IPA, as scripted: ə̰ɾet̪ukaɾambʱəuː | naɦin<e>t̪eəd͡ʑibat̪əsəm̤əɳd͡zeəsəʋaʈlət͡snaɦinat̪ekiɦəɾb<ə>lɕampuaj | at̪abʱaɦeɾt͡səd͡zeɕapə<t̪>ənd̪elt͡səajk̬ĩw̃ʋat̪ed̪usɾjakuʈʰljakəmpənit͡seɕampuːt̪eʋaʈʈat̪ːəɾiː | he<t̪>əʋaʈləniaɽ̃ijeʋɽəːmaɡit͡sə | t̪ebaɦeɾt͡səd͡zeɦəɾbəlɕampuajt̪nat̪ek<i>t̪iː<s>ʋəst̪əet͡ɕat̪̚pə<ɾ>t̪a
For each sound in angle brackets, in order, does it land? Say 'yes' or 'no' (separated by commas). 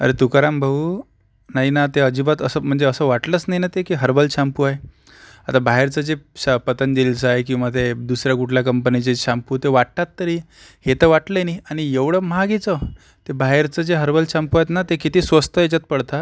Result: no, yes, yes, yes, yes, yes, no